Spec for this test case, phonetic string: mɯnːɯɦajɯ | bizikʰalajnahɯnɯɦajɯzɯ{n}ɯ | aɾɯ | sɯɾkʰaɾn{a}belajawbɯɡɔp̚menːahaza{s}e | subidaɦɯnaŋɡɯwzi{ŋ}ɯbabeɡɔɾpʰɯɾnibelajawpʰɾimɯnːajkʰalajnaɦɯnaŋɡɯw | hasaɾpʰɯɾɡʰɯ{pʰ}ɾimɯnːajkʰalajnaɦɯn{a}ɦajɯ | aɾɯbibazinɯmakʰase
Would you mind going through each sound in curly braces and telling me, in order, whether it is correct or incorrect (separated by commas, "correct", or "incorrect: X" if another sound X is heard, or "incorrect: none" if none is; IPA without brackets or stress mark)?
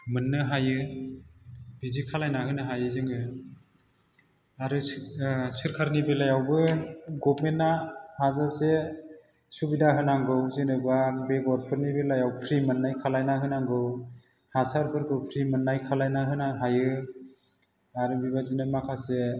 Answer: incorrect: ŋ, incorrect: i, correct, incorrect: n, correct, correct